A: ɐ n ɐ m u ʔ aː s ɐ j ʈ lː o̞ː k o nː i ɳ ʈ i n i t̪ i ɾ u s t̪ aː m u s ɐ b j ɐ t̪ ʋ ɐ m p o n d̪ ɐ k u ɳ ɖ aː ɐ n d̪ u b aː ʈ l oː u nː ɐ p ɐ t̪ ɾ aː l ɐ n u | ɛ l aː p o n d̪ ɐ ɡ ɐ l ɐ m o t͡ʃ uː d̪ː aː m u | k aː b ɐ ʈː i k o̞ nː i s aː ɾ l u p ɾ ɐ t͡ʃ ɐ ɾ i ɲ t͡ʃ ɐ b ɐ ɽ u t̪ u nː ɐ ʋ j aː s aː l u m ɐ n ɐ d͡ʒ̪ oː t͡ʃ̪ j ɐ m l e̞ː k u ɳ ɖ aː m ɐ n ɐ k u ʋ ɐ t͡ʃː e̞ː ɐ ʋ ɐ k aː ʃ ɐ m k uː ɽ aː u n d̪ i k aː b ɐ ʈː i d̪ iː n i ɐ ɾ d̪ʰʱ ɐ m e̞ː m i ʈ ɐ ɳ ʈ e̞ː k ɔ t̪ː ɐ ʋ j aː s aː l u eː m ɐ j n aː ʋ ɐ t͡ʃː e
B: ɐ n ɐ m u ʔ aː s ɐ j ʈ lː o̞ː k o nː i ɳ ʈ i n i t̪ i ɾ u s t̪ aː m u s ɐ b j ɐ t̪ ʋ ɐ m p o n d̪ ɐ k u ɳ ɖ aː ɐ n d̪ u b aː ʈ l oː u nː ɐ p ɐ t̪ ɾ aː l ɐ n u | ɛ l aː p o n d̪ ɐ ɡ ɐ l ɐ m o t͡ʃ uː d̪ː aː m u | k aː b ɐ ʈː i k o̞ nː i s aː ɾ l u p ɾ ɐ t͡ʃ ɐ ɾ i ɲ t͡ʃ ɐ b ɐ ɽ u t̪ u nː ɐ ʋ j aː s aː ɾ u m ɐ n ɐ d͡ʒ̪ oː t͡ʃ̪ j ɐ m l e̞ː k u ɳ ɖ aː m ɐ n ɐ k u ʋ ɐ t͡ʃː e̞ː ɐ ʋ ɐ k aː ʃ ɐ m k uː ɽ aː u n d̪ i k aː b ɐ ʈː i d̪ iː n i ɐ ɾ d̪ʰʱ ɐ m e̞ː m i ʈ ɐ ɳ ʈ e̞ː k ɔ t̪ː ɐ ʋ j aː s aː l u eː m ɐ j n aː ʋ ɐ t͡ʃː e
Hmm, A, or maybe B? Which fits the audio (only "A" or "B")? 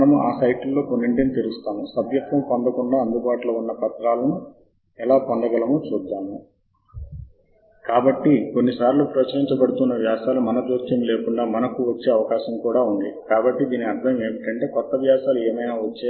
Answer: A